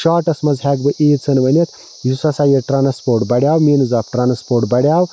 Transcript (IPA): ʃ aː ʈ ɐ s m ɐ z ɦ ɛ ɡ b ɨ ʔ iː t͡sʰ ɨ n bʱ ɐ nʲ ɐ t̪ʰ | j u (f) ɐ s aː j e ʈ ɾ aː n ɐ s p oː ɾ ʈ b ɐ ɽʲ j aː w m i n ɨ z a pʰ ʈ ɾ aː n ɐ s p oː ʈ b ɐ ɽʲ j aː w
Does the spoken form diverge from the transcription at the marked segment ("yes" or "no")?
yes